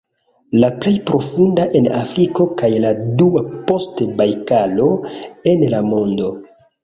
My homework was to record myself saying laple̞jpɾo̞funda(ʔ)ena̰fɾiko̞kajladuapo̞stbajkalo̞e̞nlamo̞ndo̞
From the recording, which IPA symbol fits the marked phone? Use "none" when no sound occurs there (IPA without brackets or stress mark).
ʔ